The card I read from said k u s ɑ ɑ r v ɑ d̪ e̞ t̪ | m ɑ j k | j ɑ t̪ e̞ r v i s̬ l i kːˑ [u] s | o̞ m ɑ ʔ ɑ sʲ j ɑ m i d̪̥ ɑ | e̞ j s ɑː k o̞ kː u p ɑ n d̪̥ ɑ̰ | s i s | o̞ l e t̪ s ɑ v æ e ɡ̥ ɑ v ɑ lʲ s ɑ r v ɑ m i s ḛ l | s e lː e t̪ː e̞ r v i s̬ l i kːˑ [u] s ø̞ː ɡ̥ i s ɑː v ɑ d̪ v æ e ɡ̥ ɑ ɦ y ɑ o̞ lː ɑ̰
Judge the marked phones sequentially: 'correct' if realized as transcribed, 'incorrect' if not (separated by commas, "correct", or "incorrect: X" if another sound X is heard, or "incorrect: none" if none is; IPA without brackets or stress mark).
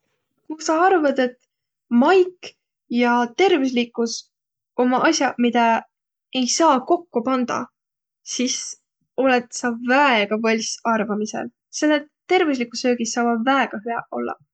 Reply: correct, correct